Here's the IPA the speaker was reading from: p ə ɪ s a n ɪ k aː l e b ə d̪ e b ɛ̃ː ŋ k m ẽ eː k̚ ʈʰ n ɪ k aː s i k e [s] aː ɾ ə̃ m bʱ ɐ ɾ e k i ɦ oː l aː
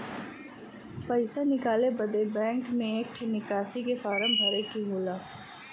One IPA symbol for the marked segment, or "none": f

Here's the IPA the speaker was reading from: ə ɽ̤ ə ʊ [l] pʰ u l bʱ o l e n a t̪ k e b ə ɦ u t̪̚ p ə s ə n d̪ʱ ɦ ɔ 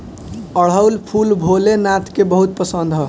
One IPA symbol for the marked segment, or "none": l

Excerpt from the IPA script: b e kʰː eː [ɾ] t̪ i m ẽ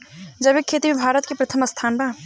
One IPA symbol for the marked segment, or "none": none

